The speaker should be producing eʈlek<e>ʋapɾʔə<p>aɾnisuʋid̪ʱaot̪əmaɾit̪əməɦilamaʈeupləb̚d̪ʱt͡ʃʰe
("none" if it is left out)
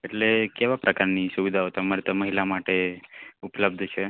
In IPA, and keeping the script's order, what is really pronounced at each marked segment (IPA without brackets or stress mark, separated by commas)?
e, k